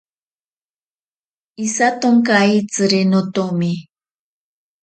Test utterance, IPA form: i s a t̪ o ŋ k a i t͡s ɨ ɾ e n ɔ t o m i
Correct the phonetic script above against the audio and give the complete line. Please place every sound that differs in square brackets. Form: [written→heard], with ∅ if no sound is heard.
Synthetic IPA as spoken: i s a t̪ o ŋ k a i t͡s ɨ ɾ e n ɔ t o m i